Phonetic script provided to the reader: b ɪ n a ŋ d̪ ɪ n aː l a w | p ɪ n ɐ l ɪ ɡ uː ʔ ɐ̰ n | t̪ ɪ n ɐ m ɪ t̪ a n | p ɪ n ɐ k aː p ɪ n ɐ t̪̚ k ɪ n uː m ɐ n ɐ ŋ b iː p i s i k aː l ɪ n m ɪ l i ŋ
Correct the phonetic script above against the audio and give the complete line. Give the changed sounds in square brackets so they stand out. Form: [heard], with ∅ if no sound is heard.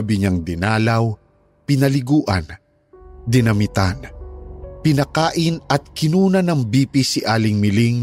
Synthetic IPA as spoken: b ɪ [ɲ] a ŋ d̪ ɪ n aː l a w | p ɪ n ɐ l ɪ ɡ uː ʔ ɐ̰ n | [d̪] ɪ n ɐ m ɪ t̪ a n | p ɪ n ɐ k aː [ʔ] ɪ n ɐ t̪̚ k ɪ n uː [n] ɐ n ɐ ŋ b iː p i s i [ʔ] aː l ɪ [ŋ] m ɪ l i ŋ